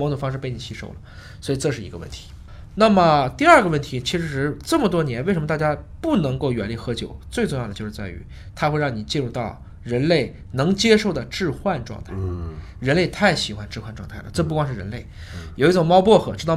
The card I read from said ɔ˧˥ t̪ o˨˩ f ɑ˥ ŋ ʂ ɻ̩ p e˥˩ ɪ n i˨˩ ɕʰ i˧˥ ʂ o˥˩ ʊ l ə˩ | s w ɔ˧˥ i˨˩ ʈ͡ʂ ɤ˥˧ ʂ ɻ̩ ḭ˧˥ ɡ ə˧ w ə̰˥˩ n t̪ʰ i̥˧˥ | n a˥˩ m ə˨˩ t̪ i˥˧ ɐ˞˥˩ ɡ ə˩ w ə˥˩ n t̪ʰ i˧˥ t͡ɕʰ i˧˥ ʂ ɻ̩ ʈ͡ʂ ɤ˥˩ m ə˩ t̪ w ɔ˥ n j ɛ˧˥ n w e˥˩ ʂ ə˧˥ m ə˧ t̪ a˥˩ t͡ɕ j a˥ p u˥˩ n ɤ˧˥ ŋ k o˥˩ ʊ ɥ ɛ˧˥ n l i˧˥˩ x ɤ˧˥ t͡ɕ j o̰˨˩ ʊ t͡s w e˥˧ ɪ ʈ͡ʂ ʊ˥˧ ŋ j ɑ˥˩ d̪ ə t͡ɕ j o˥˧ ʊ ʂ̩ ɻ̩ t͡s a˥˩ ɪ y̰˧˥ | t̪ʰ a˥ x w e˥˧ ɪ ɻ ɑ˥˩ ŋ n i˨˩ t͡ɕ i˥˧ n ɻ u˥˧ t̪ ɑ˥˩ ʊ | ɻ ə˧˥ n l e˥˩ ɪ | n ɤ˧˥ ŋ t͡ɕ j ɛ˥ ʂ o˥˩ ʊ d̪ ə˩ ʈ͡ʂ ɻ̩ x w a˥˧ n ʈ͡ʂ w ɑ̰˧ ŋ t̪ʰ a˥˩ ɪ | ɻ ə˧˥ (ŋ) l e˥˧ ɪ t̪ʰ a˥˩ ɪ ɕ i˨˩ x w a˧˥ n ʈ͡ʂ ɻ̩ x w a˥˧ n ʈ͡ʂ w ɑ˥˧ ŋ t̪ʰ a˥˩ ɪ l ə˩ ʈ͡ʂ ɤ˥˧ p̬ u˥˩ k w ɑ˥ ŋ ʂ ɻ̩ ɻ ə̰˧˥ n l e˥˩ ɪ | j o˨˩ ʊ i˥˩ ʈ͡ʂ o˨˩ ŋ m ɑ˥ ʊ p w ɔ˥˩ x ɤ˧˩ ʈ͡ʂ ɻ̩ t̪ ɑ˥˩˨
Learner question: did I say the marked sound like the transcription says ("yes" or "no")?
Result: no